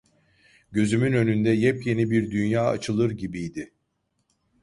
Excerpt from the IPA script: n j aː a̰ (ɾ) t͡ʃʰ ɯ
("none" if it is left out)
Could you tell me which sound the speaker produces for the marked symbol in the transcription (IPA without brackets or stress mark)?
none